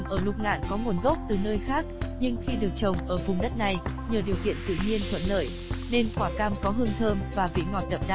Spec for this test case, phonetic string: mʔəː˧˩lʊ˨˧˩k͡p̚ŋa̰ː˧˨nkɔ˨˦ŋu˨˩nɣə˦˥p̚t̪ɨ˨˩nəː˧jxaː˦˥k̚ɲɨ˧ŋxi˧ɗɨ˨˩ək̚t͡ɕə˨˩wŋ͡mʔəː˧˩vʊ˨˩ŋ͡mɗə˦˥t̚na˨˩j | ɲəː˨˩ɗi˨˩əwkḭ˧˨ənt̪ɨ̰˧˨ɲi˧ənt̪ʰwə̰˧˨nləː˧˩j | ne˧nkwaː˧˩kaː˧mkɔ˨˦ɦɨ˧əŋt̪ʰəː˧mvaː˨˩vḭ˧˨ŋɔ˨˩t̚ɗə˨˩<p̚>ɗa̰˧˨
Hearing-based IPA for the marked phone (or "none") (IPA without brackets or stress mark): p̚